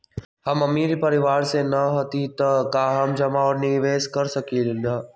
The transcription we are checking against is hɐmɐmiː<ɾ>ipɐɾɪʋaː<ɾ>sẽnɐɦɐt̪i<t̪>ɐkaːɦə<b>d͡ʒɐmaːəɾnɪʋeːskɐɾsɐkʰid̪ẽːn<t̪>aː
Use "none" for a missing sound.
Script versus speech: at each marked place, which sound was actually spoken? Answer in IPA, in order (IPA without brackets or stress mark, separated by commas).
ɾ, ɾ, t̪, m, d̪